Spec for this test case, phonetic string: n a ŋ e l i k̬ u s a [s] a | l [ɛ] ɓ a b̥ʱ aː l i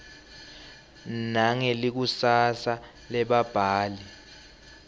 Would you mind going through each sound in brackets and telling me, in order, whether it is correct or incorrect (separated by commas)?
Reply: correct, correct